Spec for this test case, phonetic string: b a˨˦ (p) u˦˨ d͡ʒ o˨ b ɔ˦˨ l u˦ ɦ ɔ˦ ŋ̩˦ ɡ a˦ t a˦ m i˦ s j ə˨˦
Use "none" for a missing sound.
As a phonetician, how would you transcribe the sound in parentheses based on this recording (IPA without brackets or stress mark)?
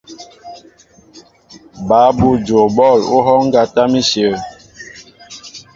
b